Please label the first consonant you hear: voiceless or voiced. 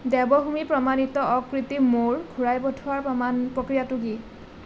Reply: voiced